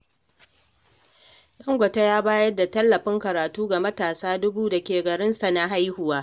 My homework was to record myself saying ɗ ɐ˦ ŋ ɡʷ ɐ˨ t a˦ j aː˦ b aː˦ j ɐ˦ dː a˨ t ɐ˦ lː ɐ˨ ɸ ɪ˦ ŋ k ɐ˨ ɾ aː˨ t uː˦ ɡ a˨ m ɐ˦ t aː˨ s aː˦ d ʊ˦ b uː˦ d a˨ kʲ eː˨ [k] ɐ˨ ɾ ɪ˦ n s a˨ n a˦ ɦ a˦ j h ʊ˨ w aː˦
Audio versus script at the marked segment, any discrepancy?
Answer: yes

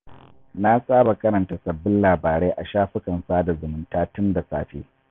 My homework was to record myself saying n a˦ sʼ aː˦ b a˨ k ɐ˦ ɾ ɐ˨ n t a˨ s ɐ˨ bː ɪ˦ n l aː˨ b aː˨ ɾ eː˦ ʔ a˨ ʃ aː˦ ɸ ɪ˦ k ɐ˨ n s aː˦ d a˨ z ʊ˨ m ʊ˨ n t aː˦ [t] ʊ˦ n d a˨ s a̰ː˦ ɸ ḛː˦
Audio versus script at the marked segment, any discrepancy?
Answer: no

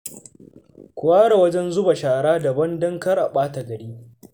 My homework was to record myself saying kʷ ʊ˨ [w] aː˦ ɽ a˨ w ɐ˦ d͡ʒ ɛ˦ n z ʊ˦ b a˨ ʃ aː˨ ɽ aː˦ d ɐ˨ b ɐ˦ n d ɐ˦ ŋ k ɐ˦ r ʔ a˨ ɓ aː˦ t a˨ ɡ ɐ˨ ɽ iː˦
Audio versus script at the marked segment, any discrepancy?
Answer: no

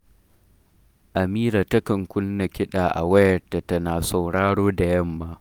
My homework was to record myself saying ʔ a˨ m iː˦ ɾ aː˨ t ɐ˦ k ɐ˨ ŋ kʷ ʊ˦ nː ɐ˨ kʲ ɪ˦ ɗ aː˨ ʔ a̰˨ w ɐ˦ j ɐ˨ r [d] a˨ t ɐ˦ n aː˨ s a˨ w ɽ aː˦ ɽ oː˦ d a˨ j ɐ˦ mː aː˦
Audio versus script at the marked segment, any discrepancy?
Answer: yes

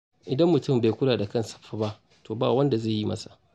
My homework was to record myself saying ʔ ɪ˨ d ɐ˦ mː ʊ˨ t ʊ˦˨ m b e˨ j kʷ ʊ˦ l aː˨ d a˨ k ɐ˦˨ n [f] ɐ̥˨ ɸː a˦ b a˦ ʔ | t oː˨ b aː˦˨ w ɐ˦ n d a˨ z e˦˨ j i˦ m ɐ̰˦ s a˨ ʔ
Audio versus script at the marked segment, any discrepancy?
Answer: yes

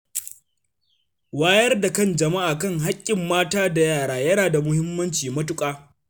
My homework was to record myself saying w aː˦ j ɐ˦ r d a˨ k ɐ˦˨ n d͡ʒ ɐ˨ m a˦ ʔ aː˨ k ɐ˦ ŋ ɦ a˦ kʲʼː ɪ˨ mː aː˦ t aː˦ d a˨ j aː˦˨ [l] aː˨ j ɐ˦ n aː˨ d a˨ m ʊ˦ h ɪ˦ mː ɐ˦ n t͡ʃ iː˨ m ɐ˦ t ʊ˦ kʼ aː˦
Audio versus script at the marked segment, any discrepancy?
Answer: yes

